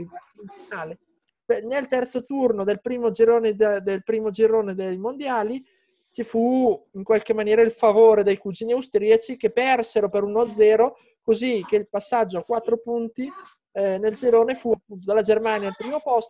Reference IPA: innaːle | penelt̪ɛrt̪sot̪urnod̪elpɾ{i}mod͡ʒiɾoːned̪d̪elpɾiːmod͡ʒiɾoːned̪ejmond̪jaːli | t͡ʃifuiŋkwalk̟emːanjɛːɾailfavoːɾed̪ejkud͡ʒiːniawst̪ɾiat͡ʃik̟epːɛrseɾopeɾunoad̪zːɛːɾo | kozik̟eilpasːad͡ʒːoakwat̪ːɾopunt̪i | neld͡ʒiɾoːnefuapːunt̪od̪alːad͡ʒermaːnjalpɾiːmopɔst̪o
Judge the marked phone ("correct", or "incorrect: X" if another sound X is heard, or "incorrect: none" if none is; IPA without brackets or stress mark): incorrect: iː